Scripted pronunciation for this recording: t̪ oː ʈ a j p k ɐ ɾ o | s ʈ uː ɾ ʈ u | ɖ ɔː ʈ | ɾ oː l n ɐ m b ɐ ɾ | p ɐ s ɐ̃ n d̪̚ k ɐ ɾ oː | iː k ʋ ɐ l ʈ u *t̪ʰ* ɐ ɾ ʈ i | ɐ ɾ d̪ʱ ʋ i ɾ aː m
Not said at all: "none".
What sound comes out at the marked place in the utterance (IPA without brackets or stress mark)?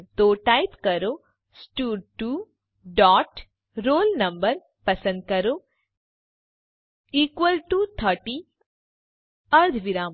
t̪ʰ